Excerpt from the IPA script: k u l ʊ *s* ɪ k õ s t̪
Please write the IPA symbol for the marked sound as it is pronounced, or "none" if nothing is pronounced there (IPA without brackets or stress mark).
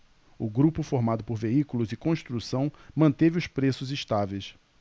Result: z